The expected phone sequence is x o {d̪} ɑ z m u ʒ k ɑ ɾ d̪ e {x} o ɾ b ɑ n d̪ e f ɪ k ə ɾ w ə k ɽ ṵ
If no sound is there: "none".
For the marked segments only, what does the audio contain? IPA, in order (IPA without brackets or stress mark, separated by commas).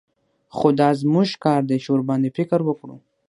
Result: d̪, ʃ